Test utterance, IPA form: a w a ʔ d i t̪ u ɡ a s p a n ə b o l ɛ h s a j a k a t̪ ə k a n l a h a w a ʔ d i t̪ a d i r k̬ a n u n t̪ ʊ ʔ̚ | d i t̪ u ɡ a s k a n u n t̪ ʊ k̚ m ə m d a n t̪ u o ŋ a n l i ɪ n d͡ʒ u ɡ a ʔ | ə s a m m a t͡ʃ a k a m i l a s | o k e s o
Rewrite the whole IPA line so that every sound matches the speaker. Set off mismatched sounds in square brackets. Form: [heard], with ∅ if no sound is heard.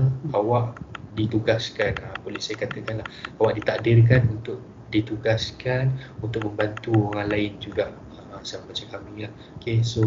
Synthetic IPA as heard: a w a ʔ d i t̪ u ɡ a s [k] a n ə b o l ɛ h s a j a k a t̪ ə k a n l a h a w a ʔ d i t̪ a d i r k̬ a n u n t̪ ʊ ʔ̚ | d i t̪ u ɡ a s k a n u n t̪ ʊ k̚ m ə m [b] a n t̪ u o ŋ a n l [a] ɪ n d͡ʒ u ɡ a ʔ | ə s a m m a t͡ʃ a k a m i l a [h] | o k e s o